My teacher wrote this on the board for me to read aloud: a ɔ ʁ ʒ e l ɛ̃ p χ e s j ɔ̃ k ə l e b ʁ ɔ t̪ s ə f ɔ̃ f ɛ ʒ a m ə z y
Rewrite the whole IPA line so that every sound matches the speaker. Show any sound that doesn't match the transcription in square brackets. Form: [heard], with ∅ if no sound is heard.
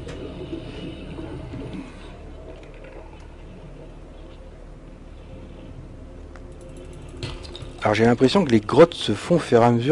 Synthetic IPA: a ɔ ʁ ʒ e l ɛ̃ p χ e s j ɔ̃ k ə l e [ɡ] ʁ ɔ t̪ s ə f ɔ̃ f ɛ [ʁ] a m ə z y